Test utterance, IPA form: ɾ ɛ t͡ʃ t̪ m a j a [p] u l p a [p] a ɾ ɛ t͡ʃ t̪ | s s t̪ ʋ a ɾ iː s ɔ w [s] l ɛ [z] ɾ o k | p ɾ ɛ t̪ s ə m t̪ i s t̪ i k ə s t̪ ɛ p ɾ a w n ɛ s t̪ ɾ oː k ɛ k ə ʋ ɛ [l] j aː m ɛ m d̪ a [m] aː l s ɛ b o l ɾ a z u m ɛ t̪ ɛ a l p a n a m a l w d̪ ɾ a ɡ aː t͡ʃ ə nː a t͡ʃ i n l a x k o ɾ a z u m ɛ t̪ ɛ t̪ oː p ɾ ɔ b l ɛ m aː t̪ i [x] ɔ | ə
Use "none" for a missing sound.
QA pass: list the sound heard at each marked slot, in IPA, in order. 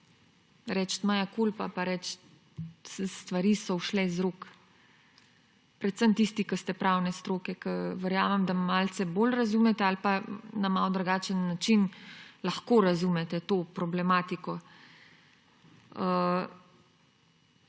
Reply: k, p, ʃ, z, ɾ, m, k

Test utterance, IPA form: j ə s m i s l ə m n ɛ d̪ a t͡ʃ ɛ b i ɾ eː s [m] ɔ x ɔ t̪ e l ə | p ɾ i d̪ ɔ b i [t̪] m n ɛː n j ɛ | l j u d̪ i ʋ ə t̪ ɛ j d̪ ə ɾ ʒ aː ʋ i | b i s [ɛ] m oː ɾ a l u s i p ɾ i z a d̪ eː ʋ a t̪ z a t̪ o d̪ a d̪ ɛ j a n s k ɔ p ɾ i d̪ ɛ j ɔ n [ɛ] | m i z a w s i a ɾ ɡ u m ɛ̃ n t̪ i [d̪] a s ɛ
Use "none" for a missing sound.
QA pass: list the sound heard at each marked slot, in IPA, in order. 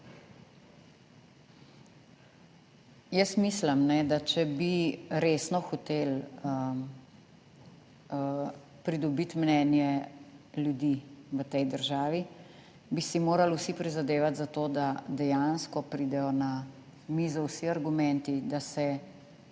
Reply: n, t̪, i, a, d̪

